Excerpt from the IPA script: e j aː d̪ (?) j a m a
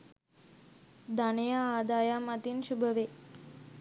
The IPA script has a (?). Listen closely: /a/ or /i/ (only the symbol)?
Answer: a